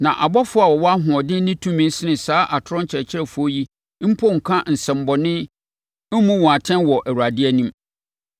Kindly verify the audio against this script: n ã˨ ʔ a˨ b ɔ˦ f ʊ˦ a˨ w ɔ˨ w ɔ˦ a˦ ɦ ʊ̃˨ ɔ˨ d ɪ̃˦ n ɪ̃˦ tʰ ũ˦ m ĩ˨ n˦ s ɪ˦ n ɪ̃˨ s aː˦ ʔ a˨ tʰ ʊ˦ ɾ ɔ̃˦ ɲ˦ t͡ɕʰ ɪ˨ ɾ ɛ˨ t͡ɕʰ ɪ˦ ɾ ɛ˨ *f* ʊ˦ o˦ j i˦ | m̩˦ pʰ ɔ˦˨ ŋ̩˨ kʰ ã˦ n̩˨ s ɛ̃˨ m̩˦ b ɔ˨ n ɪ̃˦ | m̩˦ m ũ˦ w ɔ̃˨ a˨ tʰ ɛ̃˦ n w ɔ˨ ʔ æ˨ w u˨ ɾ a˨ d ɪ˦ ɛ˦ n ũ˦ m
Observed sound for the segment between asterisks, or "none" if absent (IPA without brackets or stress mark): f